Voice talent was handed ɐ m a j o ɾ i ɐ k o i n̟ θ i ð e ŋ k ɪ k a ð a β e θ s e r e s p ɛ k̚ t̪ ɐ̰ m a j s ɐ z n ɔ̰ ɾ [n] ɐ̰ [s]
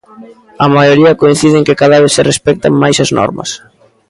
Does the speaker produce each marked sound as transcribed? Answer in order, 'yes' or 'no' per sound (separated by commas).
no, yes